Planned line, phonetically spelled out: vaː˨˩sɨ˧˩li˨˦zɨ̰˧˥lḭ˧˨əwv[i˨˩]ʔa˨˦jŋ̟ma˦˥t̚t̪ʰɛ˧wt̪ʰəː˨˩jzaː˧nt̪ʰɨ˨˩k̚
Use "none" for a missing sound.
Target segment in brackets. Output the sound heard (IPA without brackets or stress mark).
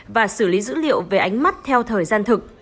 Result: e˨˩